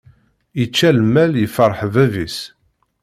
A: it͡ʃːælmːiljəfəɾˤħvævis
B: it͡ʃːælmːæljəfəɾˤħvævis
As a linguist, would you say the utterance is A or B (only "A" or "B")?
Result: B